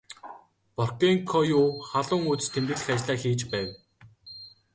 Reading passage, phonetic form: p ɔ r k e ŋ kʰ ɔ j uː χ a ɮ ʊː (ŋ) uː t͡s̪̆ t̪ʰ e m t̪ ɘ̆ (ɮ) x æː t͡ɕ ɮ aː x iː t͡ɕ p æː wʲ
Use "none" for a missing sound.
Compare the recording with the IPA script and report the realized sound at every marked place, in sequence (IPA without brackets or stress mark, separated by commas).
ŋ, ɮ